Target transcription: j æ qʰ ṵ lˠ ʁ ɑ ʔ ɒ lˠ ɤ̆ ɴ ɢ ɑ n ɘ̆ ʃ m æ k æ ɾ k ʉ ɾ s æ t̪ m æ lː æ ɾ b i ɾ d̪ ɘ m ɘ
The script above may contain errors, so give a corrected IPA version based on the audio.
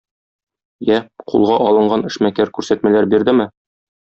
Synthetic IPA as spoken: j æ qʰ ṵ lˠ ʁ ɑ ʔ ɒ lˠ ɤ̆ ɴ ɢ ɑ n ɘ̆ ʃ m æ k æ ɾ k ʉ ɾ s æ t̪ m æ l æ ɾ b i ɾ d̪ ɘ m ɘ